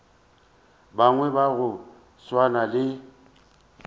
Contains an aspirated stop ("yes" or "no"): no